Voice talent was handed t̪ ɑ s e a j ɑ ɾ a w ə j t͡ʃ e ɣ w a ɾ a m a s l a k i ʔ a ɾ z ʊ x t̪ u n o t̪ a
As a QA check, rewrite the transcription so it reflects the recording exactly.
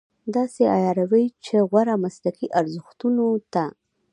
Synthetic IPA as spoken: d̪ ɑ s e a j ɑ ɾ a w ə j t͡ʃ e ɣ w a ɾ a m a s l a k i ʔ a ɾ z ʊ x t̪ u n o t̪ a

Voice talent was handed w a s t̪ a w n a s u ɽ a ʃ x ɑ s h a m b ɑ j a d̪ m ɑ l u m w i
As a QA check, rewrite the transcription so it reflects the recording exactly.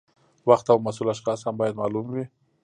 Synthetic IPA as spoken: w a x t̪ a w m a s u l a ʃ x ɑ s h a m b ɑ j a d̪ m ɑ l u m w i

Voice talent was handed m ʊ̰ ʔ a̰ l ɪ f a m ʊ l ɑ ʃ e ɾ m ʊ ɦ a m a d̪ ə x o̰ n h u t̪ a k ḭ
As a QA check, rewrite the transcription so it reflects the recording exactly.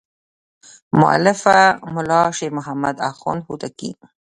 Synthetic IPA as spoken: m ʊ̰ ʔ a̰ l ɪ f a m ʊ l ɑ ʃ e ɾ m ʊ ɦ a m a d̪ a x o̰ n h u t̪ a k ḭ

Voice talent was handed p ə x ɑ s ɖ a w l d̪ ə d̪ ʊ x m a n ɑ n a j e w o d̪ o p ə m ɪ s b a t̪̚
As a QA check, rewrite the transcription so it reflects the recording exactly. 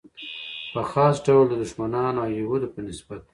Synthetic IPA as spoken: p ə x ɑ s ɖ a w l d̪ ə d̪ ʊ ʃ m a n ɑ n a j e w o d̪ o p ə n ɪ s b a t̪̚

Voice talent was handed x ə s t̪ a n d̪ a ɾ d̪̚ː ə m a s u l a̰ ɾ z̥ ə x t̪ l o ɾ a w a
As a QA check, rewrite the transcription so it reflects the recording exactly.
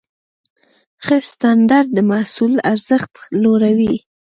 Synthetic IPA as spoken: x ə s t̪ a n d̪ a ɾ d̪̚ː ə m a s u l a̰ ɾ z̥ ə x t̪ l o ɾ a w i

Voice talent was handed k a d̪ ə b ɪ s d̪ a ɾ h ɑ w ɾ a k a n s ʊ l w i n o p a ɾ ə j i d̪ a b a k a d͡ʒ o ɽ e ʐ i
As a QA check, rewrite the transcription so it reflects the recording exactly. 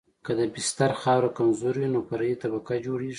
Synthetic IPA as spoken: k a d̪ ə b ɪ s t̪ a ɾ x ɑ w ɾ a k a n z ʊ ɾ w i n o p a ɾ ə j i t̪ a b a k a d͡ʒ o ɽ e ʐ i

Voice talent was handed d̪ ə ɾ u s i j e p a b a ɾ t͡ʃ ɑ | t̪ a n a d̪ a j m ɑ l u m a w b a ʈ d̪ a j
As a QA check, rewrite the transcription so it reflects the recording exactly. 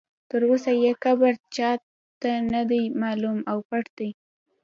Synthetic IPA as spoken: t̪ ə ɾ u s a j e k a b a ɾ t͡ʃ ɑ | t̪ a n a d̪ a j m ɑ l u m a w p a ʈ d̪ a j

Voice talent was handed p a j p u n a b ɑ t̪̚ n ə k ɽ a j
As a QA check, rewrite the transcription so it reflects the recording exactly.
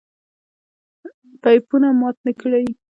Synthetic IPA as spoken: p a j p u n a m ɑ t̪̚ n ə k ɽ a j

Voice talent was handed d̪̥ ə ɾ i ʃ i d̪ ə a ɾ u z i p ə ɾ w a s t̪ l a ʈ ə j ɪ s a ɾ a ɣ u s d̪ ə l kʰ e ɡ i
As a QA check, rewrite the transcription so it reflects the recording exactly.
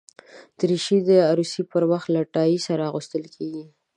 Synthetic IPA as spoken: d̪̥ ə ɾ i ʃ i d̪ ə a ɾ u s i p ə ɾ w a x t̪ l a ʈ ɑ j i s a ɾ a ɣ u s t̪ ə l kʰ e ɡ i

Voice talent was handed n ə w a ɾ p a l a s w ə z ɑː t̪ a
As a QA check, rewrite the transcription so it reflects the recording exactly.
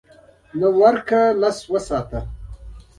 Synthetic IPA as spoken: n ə w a ɾ k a l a s w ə s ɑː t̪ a

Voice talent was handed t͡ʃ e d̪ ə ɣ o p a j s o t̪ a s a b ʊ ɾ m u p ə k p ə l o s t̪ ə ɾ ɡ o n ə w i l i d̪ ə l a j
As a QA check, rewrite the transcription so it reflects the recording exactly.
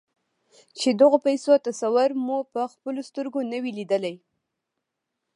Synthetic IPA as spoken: t͡ʃ e d̪ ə ɣ o p a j s o t̪ a s a w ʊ ɾ m u p ə x p ə l o s t̪ ə ɾ ɡ o n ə w i l i d̪ ə l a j

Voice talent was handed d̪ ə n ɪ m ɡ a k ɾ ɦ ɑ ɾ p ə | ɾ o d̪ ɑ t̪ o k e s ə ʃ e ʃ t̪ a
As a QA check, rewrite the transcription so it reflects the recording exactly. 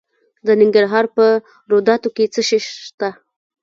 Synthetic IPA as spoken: d̪ ə n ɪ ŋ ɡ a ɾ ɦ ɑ ɾ p ə | ɾ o d̪ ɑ t̪ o k e t͡s ə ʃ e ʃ t̪ a

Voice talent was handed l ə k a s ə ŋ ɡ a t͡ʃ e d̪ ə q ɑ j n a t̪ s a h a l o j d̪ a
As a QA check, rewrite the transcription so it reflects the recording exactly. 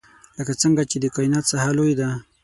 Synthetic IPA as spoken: l ə k a t͡s ə ŋ ɡ a t͡ʃ e d̪ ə k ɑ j n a t̪ s a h a l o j d̪ a

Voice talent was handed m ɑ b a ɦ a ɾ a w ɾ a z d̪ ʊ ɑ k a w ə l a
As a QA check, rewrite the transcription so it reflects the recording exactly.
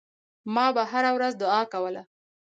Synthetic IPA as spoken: m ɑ b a ɦ a ɾ a w ɾ a z d̪ ʊ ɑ k a w ə l a

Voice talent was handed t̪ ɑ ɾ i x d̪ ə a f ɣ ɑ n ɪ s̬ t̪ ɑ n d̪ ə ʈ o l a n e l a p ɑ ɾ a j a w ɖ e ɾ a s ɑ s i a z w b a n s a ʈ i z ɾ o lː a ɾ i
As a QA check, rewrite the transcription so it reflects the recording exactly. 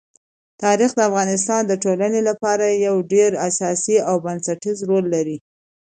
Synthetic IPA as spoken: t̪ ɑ ɾ i x d̪ ə a f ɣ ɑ n ɪ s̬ t̪ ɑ n d̪ ə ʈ o l a n e l a p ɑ ɾ a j a w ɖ e ɾ a s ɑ s i a w b a n s a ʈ i z ɾ o lː a ɾ i

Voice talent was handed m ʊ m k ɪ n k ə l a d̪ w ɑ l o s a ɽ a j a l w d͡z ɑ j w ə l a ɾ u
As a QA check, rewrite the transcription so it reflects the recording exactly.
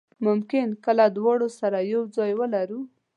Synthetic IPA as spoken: m ʊ m k ɪ n k ə l a d̪ w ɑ ɽ o s a ɾ a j a w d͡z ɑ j w ə l a ɾ u

